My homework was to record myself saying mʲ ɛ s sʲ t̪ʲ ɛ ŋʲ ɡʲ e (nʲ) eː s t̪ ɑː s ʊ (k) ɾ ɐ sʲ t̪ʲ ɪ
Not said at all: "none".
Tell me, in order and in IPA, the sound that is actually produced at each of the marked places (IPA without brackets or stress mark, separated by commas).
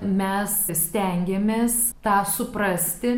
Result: mʲ, p